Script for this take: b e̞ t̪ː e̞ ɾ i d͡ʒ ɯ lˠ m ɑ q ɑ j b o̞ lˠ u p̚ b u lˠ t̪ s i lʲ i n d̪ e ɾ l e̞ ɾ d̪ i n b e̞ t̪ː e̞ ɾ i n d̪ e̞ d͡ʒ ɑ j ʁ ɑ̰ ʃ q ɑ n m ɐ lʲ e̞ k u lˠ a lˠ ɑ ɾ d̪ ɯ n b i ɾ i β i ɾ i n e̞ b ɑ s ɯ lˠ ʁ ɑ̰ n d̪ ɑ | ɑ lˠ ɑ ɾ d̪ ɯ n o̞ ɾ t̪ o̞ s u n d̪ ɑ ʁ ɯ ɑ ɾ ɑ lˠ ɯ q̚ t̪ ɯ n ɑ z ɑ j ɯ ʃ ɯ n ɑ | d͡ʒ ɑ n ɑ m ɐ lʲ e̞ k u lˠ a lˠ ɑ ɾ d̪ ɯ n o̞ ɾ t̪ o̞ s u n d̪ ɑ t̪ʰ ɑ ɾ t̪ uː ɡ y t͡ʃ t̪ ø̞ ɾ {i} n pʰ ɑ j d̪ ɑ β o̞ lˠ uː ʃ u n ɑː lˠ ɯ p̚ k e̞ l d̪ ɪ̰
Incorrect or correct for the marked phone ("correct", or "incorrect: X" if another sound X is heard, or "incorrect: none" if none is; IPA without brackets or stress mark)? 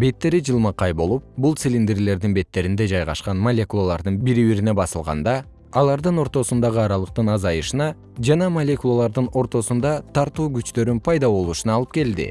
incorrect: y